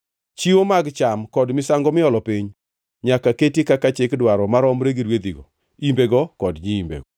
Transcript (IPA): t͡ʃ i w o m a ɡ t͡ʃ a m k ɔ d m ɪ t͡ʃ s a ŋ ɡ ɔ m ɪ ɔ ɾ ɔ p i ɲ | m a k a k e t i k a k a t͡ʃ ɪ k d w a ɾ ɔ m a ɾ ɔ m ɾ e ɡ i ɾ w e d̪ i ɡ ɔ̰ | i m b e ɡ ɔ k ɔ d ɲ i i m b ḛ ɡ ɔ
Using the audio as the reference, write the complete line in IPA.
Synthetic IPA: t͡ʃ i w o m a ɡ t͡ʃ a m k ɔ d m ɪ s a ŋ ɡ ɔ m ɪ ɔ l ɔ p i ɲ | ɲ a k a k e t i k a k a t͡ʃ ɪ k d w a ɾ ɔ m a ɾ ɔ m ɾ e ɡ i ɾ w e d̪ i ɡ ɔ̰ | i m b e ɡ ɔ k ɔ d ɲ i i m b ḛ ɡ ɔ

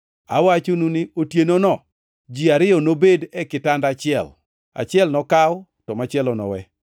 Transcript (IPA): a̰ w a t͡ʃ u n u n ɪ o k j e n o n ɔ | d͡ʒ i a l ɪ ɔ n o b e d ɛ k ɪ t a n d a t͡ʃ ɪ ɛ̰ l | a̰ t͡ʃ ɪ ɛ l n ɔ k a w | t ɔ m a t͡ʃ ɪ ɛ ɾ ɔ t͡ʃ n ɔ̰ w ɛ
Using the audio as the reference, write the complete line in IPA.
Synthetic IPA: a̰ w a t͡ʃ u n u n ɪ o t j e n o n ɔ | d͡ʒ i a ɾ ɪ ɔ n o b e d ɛ k ɪ t a n d a t͡ʃ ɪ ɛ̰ l | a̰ t͡ʃ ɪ ɛ l n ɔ k a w | t ɔ m a t͡ʃ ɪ ɛ l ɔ n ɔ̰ w ɛ

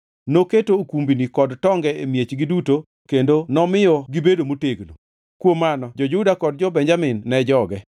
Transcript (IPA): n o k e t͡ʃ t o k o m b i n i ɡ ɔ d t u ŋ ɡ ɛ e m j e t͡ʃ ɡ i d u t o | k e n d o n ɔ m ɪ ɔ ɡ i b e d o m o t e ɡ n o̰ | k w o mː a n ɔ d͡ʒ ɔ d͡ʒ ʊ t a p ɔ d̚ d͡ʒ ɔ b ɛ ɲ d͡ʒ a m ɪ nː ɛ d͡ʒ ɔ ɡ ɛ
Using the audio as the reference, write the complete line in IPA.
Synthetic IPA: n o k e t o k u m b i n i k ɔ d t ɔ ŋ ɡ ɛ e m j e t͡ʃ ɡ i d u t o | k e n d o n ɔ m ɪ ɔ ɡ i b e d o m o t e ɡ n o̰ | k w o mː a n ɔ d͡ʒ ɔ d͡ʒ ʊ d a k ɔ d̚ d͡ʒ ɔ b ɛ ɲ d͡ʒ a m ɪ nː ɛ d͡ʒ ɔ ɡ ɛ

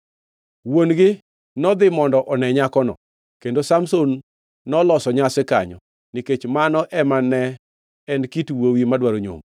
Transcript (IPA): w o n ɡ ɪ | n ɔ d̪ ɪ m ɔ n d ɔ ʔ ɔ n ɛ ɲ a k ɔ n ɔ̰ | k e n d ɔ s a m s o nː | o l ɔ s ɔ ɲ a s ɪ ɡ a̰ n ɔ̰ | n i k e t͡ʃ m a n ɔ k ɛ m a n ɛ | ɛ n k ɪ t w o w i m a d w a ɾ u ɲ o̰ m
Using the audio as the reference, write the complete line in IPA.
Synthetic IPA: w o n ɡ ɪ | n ɔ d̪ ɪ m ɔ n d ɔ ʔ ɔ n ɛ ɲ a k ɔ n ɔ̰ | k e n d o s a m s o nː | ɔ l ɔ s ɔ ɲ a s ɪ k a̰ ɲ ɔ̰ | n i k e t͡ʃ m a n ɔ ʔ ɛ m a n ɛ | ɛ n k i t w o w i m a d w a ɾ o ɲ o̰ m

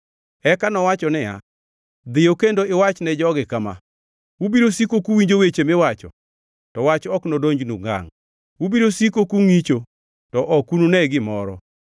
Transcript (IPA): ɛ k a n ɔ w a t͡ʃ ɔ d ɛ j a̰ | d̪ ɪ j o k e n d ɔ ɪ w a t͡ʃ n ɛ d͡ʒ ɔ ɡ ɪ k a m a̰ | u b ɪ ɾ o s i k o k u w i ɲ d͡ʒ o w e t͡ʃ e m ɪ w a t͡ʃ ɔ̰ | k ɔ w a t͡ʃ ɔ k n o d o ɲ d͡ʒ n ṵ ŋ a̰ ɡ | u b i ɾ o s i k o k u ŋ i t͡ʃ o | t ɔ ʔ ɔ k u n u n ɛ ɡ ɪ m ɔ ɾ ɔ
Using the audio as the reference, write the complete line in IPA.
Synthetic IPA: ɛ k a n ɔ w a t͡ʃ ɔ n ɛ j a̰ | d̪ ɪ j o k e n d o ɪ w a t͡ʃ n ɛ d͡ʒ ɔ ɡ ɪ k a m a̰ | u b i ɾ o s i k o k u w i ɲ d͡ʒ o w e t͡ʃ e m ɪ w a t͡ʃ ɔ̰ | t ɔ w a t͡ʃ ɔ k n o d o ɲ d͡ʒ n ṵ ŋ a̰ ŋ | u b i ɾ o s i k o k u ŋ i t͡ʃ o | t ɔ ʔ ɔ k u n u n ɛ ɡ ɪ m ɔ ɾ ɔ

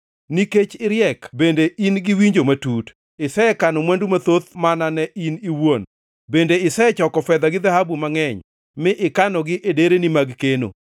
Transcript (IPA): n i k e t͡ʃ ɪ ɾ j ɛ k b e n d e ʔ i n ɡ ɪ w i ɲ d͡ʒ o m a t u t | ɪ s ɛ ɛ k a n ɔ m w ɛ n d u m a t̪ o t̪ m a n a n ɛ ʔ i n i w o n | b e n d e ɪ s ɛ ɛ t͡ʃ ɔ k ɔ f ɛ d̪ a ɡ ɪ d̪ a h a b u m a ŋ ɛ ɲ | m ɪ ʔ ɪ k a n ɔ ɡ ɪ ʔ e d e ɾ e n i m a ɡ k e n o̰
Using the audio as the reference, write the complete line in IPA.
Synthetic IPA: n i k e t͡ʃ ɪ ɾ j ɛ k b e n d e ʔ i n ɡ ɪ w i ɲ d͡ʒ o m a t u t | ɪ s ɛ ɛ k a n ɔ m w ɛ n d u m a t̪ o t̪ m a n a n ɛ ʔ i n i w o n | b e n d e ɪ s ɛ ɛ t͡ʃ ɔ k ɔ f ɛ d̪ a ɡ ɪ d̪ a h a b u m a ŋ ɛ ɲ | m ɪ ʔ ɪ k a n ɔ ɡ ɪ ʔ e d e ɾ e n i m a ɡ k e n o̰

